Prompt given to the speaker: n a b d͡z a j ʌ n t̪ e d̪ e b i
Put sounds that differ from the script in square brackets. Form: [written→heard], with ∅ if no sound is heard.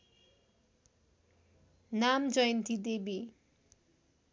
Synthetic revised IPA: n a [b→m] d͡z [a→ʌ] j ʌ n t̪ [e→i] d̪ e b i